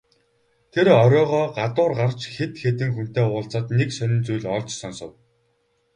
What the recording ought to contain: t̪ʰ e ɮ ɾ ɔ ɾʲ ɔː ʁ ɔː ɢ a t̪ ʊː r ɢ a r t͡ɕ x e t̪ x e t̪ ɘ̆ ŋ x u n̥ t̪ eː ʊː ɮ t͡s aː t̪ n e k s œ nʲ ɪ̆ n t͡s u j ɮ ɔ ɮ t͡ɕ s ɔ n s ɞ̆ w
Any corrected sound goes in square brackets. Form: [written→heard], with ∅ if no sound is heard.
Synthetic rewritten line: t̪ʰ e [ɮ→∅] ɾ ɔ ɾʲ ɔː ʁ ɔː ɢ a t̪ ʊː r ɢ a r t͡ɕ x e t̪ x e t̪ ɘ̆ ŋ x u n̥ t̪ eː ʊː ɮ t͡s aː t̪ n e k s œ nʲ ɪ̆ n t͡s u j ɮ ɔ ɮ t͡ɕ s ɔ n s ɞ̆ w